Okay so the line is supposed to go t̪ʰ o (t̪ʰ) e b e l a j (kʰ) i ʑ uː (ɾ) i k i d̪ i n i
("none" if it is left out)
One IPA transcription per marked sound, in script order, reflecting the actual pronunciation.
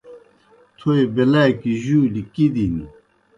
none, k, l

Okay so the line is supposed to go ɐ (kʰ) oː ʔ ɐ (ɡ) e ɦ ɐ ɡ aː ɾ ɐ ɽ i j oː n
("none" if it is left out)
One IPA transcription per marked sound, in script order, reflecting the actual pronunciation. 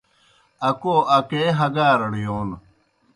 k, k

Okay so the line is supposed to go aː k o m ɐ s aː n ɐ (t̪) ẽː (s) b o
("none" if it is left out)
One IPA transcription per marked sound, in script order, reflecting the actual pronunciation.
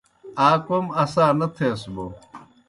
t̪ʰ, s

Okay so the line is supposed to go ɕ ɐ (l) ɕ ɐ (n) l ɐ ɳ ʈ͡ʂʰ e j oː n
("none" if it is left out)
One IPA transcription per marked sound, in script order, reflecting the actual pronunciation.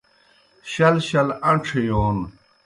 l, none

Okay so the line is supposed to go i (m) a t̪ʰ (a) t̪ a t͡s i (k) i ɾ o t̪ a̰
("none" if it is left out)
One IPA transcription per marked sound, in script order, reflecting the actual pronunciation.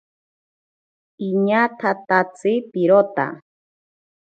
ɲ, a, p

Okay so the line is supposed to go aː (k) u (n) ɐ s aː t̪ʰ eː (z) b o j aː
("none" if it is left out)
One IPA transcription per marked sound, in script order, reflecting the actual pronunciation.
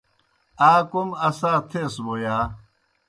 k, m, s

